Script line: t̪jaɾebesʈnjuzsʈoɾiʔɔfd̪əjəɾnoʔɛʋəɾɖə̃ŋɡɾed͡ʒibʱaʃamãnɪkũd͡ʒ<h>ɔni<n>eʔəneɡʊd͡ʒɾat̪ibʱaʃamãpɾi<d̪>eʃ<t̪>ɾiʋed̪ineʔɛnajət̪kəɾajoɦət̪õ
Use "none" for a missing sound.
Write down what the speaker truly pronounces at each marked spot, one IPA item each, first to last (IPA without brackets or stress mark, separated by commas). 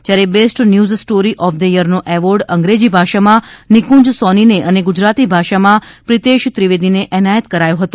s, n, t̪, t̪